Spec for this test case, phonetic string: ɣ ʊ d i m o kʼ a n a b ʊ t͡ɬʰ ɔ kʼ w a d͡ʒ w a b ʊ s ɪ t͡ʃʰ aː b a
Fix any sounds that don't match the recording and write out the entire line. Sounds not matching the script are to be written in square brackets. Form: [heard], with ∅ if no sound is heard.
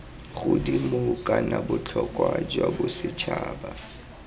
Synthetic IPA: ɣ ʊ d i m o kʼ a n a b ʊ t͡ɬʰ ɔ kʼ w a d͡ʒ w a b ʊ s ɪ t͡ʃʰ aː b a